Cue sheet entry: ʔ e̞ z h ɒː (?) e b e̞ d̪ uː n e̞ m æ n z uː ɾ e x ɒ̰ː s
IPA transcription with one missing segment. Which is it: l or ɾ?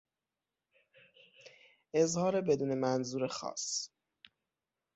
ɾ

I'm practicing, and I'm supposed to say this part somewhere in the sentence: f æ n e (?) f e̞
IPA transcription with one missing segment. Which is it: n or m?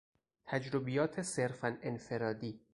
n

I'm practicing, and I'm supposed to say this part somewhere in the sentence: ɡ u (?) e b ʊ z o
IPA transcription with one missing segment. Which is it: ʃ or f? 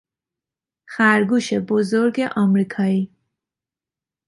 ʃ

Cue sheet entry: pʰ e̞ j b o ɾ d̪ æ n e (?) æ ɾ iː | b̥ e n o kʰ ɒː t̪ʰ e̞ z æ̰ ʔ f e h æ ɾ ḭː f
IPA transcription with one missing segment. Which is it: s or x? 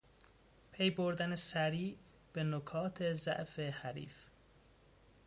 s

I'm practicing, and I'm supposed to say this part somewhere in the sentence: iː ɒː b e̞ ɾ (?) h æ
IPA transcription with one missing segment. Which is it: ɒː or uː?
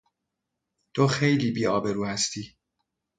uː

